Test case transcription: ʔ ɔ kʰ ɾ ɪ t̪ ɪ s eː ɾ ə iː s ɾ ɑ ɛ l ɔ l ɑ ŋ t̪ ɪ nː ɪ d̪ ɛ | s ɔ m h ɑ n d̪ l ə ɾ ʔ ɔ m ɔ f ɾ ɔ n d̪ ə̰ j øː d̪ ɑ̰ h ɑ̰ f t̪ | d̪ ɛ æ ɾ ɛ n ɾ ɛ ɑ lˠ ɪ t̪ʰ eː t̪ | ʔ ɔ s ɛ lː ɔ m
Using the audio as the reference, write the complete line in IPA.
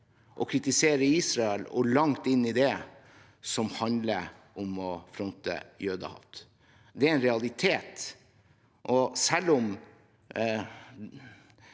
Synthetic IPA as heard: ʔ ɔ kʰ ɾ ɪ t̪ ɪ s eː ɾ ə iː s ɾ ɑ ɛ l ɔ l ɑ ŋ t̪ ɪ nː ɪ d̪ ɛ | s ɔ m h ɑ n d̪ l ə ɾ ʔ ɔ m ɔ f ɾ ɔ n t̪ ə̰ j øː d̪ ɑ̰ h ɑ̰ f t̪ | d̪ ɛ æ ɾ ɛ n ɾ ɛ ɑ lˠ ɪ t̪ʰ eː t̪ | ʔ ɔ s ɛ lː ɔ m